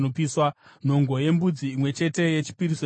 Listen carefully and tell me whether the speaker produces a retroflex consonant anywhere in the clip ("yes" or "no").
no